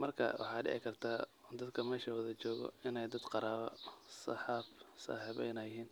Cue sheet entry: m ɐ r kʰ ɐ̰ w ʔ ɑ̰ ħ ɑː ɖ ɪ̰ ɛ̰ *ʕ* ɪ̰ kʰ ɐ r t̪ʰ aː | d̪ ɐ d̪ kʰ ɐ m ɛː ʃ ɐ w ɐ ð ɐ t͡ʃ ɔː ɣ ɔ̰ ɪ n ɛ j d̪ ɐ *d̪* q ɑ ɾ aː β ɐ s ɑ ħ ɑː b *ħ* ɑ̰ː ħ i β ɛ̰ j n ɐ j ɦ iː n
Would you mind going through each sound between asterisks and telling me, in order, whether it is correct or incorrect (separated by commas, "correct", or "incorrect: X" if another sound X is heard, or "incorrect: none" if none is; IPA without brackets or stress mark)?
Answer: correct, correct, incorrect: s